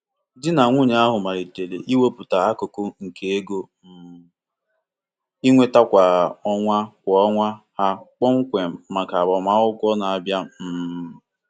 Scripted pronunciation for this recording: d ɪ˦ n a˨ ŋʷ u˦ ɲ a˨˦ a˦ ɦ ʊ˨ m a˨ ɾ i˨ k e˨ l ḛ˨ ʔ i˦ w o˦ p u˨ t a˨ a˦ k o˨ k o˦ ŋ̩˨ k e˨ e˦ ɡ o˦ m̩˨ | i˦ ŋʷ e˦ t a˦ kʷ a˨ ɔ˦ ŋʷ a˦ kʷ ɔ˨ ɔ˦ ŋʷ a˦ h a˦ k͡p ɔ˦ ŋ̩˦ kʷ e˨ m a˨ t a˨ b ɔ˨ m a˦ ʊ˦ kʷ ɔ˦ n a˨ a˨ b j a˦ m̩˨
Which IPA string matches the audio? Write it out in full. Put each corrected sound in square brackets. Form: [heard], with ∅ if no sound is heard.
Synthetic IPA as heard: d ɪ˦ n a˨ ŋʷ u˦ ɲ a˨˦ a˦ ɦ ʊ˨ m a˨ ɾ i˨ [t] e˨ l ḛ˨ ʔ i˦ w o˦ p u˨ t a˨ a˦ k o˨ k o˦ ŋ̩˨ k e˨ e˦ ɡ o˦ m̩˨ | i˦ ŋʷ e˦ t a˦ kʷ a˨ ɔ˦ ŋʷ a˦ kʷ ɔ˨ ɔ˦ ŋʷ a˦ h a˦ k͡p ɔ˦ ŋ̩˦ kʷ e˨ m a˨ [k] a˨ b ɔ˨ m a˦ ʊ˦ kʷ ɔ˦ n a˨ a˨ b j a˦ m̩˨